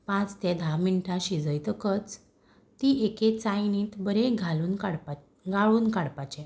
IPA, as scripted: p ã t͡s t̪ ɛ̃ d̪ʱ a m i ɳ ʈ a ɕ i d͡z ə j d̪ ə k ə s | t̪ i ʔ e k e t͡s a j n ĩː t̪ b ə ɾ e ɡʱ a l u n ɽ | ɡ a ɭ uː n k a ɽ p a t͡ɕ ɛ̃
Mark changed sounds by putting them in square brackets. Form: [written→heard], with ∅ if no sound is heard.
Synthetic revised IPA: p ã t͡s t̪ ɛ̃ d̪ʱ a m i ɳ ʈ a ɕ i d͡z ə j [d̪→t̪] ə k ə [s→t͡s] | t̪ i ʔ e k e t͡s a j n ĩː t̪ b ə ɾ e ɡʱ a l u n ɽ | ɡ a ɭ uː n k a ɽ p a t͡ɕ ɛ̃